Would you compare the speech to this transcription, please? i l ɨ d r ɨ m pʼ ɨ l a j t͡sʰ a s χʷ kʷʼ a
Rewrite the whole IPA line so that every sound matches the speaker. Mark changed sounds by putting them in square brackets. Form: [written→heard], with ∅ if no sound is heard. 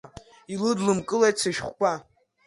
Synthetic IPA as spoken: i l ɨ d [r→l] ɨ m [pʼ→kʼ] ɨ l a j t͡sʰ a [s→ʃ] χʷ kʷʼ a